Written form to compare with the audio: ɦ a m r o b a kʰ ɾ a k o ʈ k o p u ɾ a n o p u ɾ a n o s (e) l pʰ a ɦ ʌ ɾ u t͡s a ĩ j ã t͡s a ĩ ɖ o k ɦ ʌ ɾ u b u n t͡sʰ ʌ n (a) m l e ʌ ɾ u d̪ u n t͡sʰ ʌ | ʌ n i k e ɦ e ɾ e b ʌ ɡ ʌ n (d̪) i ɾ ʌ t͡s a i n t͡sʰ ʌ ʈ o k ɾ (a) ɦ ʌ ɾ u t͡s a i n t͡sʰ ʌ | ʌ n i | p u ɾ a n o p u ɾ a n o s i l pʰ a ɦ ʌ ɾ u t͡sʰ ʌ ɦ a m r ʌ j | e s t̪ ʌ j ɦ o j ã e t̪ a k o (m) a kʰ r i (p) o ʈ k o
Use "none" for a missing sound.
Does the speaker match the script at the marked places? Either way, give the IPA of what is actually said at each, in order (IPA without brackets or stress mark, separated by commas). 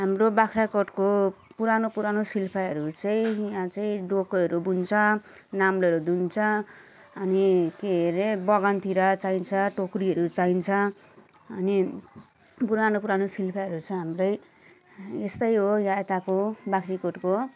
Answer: i, a, t̪, i, b, k